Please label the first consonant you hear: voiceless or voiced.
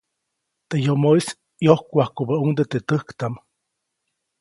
voiceless